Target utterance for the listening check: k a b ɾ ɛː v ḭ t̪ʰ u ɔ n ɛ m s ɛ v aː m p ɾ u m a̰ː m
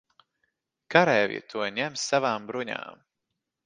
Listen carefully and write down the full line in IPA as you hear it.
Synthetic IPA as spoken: k a ɾ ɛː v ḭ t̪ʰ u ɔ ɲ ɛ m s a v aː m b ɾ u ɲ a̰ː m